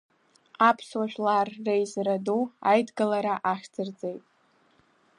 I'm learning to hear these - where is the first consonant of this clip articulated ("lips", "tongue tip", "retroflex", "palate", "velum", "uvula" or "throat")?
lips